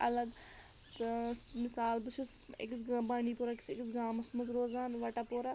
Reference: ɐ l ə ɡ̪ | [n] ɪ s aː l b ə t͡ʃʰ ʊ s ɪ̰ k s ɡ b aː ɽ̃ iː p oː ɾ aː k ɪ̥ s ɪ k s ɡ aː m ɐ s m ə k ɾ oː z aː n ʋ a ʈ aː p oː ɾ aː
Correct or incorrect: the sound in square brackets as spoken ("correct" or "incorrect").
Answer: incorrect